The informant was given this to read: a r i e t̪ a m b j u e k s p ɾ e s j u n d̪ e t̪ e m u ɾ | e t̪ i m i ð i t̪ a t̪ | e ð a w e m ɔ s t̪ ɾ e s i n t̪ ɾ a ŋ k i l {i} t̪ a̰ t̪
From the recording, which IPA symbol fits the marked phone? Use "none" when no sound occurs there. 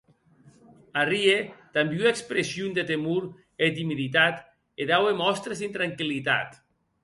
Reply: i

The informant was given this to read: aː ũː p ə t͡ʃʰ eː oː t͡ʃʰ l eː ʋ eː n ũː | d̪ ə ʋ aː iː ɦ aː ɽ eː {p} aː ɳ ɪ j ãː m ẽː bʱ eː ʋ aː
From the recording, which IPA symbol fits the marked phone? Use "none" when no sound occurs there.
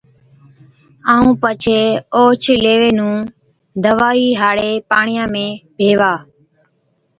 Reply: p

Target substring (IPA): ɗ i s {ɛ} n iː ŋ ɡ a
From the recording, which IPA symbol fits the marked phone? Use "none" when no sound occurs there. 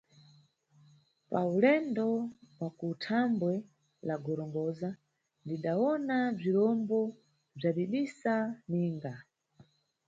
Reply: a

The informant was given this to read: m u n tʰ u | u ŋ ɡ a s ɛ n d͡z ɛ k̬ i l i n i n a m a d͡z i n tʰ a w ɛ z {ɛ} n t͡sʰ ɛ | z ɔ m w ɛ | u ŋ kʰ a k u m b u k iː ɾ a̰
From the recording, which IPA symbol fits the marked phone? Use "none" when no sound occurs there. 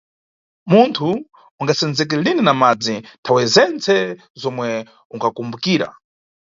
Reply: ɛ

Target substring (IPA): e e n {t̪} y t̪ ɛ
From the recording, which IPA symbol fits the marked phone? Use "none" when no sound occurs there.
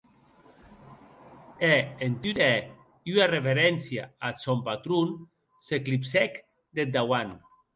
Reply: t̪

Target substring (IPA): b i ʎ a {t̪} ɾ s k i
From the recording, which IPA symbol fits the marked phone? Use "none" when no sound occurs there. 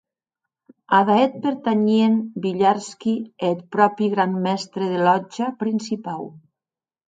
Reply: none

